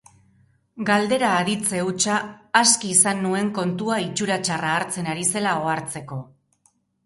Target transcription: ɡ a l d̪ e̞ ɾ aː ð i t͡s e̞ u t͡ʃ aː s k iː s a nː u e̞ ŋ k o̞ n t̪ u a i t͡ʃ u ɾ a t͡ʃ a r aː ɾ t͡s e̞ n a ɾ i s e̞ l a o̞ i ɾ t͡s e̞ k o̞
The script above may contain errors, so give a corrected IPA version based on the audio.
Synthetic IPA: ɡ a l d̪ e̞ ɾ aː ð i t͡s e̞ u t͡ʃ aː s k iː s a nː u e̞ ŋ k o̞ n t̪ u a i t͡ʃ u ɾ a t͡ʃ a r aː ɾ t͡s e̞ n a ɾ i s e̞ l a o̞ a ɾ t͡s e̞ k o̞